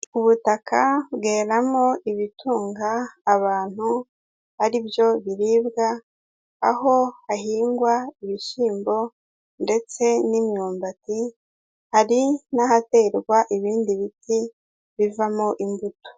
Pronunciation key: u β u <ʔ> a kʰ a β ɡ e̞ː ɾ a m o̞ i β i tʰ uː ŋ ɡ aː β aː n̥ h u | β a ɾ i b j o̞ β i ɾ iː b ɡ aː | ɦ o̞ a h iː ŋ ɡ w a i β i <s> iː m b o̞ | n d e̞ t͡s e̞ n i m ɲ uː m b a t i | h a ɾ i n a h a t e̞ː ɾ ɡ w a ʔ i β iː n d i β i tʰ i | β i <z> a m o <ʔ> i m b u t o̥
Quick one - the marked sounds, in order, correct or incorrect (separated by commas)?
incorrect, incorrect, incorrect, correct